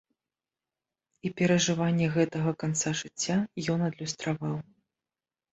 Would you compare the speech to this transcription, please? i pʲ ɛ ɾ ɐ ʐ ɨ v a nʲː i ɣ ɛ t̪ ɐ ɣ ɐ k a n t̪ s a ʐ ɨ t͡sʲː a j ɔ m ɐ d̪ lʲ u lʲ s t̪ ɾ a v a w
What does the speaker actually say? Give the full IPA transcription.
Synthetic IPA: i pʲ ɛ ɾ ɐ ʐ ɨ v a nʲː ɛ ɣ ɛ t̪ ɐ ɣ ɐ k a n t̪ s a ʐ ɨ t͡sʲː a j ɔ n ɐ d̪ lʲ u s t̪ ɾ a v a w